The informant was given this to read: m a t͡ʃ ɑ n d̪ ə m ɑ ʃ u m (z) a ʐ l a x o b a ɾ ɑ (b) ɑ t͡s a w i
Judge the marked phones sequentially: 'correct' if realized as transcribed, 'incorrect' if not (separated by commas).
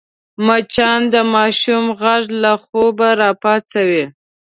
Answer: incorrect, incorrect